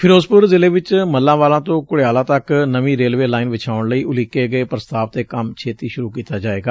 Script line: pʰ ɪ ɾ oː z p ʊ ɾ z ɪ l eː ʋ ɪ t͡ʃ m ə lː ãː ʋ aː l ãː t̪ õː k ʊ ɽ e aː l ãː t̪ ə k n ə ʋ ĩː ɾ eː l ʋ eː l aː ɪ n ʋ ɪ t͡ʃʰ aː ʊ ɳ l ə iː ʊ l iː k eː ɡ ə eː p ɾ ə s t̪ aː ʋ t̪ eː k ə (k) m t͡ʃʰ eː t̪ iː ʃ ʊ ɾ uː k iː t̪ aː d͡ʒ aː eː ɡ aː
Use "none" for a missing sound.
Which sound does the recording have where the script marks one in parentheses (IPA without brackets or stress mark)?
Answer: none